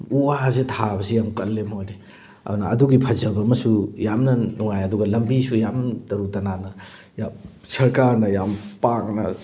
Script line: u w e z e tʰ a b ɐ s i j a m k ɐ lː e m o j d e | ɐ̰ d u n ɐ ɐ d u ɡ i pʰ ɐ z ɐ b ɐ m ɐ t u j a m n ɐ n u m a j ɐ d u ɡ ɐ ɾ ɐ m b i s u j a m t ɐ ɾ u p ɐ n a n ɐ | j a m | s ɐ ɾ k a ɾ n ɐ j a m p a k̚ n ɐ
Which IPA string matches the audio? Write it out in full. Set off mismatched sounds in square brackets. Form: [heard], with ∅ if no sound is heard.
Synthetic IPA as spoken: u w [a] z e tʰ a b ɐ s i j a m k ɐ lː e m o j d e | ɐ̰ d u n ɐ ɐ d u ɡ i pʰ ɐ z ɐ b ɐ m ɐ [s] u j a m n ɐ n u [ŋ] a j ɐ d u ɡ ɐ [l] ɐ m b i s u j a m t ɐ ɾ u [t] ɐ n a n ɐ | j a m | s ɐ ɾ k a ɾ n ɐ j a m p a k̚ n ɐ